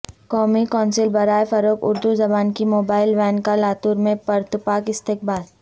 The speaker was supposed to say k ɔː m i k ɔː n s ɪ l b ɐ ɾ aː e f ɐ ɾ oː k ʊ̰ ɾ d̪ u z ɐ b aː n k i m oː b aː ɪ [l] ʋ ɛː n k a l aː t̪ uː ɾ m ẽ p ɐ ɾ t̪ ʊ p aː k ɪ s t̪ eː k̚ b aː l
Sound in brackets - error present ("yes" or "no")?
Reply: no